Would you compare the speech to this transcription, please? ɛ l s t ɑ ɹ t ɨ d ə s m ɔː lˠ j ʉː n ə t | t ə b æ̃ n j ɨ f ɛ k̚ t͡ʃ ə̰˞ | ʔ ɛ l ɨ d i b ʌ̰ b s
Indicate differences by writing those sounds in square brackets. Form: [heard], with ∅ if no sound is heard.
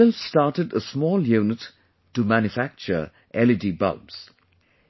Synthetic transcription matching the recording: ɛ l s t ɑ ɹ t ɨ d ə s m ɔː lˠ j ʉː n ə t | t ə [m] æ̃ n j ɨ f [æ] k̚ t͡ʃ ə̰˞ | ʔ ɛ l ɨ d i b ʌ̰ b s